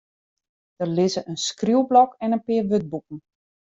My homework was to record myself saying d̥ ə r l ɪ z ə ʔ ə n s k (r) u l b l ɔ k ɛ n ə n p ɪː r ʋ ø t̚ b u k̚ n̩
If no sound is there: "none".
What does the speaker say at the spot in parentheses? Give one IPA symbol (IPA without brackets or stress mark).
r